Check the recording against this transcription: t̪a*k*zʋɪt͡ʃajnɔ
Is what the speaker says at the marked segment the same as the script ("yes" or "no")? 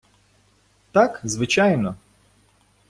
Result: yes